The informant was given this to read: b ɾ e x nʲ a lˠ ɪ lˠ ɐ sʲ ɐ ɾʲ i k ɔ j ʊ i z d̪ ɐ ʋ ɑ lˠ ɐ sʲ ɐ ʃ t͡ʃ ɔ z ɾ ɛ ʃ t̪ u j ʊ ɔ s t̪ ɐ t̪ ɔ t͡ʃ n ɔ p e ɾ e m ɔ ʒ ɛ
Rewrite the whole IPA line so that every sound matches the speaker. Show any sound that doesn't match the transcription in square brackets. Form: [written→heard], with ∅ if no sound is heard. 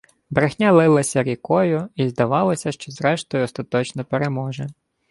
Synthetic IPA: b ɾ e x nʲ a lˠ ɪ lˠ ɐ sʲ ɐ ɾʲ i k ɔ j ʊ i z d̪ ɐ ʋ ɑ lˠ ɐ sʲ ɐ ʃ t͡ʃ ɔ z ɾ ɛ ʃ t̪ [u→ɔ] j ʊ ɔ s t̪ ɐ t̪ ɔ t͡ʃ n ɔ p e ɾ e m ɔ ʒ ɛ